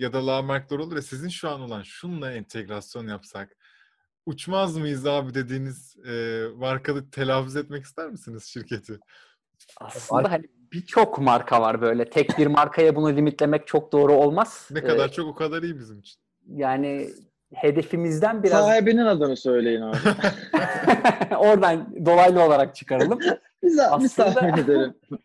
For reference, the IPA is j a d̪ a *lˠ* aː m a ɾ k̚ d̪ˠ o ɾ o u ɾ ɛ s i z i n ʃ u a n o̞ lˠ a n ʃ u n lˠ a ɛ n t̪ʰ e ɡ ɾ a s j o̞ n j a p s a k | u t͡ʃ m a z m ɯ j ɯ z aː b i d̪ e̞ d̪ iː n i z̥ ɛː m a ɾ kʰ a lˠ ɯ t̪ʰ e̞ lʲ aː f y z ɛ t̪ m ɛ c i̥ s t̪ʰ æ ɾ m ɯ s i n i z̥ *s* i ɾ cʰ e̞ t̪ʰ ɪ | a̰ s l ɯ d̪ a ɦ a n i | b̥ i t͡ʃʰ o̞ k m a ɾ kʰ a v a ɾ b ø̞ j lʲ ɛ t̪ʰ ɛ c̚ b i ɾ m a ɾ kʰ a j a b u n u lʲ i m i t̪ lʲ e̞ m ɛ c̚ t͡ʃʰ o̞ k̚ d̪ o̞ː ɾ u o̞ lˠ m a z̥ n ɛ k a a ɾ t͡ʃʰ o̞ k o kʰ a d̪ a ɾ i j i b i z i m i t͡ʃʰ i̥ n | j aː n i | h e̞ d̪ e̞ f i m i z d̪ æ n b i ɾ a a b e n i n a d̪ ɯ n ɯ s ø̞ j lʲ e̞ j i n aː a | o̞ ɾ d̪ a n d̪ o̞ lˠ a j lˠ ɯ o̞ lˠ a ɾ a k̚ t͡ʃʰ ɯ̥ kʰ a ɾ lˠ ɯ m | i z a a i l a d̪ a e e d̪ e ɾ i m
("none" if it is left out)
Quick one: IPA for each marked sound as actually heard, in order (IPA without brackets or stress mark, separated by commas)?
lˠ, ʃ